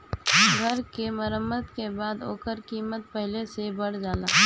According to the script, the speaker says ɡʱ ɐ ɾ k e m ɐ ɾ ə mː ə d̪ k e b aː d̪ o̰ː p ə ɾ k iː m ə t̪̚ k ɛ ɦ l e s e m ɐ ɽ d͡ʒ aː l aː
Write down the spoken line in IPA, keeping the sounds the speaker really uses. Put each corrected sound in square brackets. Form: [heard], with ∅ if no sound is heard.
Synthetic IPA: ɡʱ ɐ ɾ k e m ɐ ɾ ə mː ə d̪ k e b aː d̪ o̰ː [k] ə ɾ k iː m ə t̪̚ [p] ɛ ɦ l e s e [b] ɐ ɽ d͡ʒ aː l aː